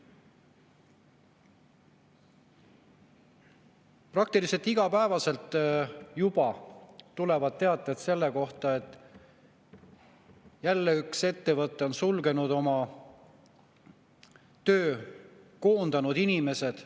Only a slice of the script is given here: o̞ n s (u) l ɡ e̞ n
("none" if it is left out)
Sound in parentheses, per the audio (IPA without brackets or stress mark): u